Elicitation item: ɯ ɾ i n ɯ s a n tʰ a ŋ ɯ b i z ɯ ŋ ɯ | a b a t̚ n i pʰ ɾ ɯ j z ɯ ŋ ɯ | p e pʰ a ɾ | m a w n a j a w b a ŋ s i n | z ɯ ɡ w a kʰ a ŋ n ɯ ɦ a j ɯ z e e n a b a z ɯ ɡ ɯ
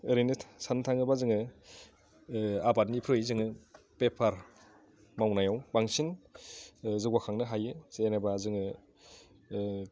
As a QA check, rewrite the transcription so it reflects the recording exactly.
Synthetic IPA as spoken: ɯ ɾ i n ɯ s a n tʰ a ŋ ɯ b a z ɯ ŋ ɯ | a b a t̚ n i pʰ ɾ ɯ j z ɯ ŋ ɯ | p e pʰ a ɾ | m a w n a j a w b a ŋ s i n | z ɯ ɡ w a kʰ a ŋ n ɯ ɦ a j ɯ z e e n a b a z ɯ ŋ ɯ